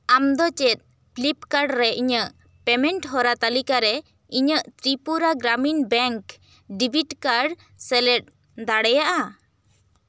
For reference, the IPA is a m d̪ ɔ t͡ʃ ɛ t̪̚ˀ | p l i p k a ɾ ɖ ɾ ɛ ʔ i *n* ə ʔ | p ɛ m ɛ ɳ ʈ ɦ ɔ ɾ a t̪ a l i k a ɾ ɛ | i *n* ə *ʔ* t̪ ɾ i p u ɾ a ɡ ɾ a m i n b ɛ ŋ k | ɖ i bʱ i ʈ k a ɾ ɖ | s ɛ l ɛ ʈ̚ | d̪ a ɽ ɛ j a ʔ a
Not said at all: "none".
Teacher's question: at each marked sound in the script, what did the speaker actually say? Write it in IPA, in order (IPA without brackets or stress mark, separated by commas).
ɲ, ɲ, ʔ